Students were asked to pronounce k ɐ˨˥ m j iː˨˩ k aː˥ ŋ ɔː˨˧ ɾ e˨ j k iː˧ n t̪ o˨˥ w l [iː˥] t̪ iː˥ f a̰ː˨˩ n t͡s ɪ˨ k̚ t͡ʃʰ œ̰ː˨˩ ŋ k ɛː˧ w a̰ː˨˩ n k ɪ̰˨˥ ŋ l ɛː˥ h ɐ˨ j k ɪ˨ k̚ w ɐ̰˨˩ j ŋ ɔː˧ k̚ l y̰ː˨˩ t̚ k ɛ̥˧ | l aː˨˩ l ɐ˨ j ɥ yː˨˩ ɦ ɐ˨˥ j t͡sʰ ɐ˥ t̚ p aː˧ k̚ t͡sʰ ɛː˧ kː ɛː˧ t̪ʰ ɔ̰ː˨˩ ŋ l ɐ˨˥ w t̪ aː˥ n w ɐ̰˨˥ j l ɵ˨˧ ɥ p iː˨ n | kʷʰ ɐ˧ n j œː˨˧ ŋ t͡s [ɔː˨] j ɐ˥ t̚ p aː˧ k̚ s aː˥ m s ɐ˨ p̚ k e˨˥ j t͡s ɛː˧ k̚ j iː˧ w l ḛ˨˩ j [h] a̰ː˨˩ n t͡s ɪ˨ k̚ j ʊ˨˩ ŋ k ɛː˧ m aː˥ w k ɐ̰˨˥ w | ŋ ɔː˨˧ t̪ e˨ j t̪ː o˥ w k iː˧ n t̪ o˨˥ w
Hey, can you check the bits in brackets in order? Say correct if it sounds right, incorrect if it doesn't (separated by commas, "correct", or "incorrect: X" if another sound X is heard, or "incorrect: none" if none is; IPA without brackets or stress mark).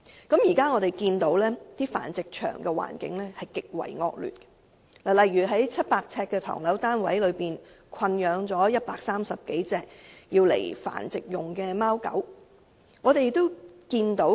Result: incorrect: ɛː˥, incorrect: ɔː˨˥, incorrect: f